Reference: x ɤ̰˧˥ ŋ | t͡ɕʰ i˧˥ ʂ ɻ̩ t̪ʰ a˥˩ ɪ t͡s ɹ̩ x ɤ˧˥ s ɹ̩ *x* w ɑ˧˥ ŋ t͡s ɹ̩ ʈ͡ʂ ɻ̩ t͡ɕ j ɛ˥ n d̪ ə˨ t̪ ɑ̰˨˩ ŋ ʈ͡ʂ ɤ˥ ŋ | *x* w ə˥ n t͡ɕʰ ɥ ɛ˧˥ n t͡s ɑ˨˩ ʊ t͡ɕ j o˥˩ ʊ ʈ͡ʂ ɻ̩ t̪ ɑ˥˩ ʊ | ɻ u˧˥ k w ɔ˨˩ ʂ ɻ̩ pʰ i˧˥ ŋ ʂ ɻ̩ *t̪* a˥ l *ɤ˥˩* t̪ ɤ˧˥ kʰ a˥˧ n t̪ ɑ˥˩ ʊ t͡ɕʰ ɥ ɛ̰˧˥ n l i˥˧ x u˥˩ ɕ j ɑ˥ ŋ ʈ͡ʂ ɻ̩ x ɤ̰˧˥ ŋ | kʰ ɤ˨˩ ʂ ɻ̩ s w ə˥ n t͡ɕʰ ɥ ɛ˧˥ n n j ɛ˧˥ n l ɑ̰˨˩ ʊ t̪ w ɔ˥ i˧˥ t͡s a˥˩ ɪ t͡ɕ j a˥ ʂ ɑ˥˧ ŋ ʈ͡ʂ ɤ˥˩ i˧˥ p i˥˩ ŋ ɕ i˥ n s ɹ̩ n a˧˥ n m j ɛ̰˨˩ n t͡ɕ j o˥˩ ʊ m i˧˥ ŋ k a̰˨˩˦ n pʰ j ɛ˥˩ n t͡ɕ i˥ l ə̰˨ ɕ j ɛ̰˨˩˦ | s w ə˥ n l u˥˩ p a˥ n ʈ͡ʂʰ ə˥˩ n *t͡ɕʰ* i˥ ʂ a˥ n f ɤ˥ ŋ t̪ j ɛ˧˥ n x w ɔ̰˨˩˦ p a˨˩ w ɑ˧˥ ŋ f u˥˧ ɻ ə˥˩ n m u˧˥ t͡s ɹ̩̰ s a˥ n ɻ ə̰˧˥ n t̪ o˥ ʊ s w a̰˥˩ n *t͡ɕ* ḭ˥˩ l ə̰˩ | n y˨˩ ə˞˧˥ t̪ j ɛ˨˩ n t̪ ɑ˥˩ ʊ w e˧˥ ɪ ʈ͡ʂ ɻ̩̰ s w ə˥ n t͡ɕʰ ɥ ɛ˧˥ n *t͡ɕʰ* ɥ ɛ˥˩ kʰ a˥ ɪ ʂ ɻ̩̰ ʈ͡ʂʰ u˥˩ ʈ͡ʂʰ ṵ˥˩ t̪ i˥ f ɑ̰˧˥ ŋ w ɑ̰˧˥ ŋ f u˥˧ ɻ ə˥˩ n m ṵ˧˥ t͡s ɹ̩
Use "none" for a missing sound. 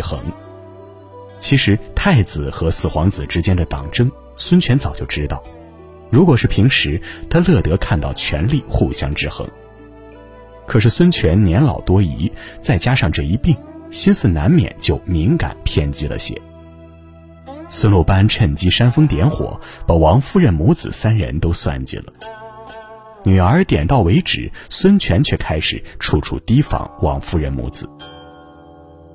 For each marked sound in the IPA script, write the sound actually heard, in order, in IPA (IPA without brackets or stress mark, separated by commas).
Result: x, s, t̪ʰ, ɤ˥˩, t͡ɕ, t͡ɕ, t͡ɕʰ